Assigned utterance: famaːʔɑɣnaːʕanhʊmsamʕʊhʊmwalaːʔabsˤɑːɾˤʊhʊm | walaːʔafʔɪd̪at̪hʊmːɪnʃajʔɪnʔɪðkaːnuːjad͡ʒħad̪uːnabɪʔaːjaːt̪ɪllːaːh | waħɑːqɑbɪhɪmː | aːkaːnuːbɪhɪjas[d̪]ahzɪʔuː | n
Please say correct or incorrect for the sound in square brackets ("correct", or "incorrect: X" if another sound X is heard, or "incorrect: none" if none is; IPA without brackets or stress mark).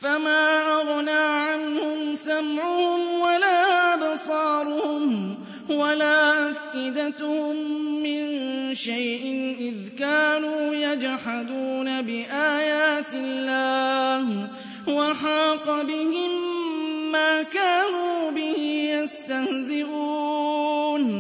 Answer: incorrect: t̪